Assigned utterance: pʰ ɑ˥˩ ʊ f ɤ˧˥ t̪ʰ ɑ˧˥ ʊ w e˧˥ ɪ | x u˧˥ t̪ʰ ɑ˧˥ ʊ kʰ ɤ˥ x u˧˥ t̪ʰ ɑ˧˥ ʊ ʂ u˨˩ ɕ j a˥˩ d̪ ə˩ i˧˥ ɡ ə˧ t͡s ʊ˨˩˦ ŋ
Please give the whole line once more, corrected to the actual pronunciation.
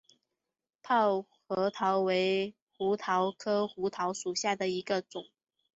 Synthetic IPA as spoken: pʰ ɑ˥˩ ʊ x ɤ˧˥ t̪ʰ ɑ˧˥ ʊ w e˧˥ ɪ | x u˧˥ t̪ʰ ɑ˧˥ ʊ kʰ ɤ˥ x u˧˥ t̪ʰ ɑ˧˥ ʊ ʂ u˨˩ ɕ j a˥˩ d̪ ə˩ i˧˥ ɡ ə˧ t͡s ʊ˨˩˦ ŋ